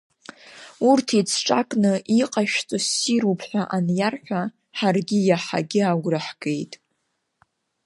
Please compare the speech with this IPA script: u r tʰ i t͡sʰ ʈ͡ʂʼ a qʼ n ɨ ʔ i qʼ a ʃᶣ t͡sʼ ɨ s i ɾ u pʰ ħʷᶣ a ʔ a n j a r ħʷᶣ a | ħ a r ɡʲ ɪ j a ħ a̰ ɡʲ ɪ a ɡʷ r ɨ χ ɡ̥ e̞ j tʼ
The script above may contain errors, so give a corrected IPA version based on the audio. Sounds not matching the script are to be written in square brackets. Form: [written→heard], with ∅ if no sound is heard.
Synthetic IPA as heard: u r tʰ i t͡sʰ ʈ͡ʂʼ a [qʼ→kʼ] n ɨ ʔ i qʼ a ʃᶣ t͡sʼ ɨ s i ɾ u pʰ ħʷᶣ a ʔ a n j a r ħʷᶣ a | ħ a r ɡʲ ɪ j a ħ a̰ ɡʲ ɪ a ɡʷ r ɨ [χ→ħ] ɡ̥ e̞ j tʼ